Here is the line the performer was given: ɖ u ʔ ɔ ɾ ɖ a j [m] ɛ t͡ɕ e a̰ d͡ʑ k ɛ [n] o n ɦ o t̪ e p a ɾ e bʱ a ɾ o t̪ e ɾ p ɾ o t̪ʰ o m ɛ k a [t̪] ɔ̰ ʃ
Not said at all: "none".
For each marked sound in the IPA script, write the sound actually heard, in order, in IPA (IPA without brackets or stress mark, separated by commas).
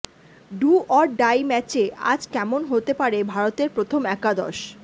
m, m, d̪